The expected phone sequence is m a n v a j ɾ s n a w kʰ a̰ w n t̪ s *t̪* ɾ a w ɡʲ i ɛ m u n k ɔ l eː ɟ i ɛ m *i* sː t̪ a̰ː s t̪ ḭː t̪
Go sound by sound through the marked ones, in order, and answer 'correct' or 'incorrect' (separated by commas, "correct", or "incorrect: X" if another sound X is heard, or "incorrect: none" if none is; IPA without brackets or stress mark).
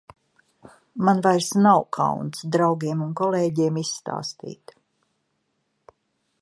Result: incorrect: d̪, correct